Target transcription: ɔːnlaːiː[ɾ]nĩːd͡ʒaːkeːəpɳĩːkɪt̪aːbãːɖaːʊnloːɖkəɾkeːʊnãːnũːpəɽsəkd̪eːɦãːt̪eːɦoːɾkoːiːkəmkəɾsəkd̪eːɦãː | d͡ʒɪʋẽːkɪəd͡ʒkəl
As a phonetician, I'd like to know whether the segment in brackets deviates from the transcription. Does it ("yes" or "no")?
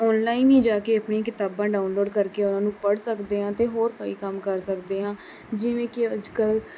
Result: yes